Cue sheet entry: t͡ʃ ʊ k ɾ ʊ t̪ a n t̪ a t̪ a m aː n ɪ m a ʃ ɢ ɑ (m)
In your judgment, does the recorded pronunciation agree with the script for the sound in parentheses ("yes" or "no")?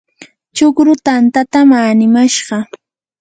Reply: no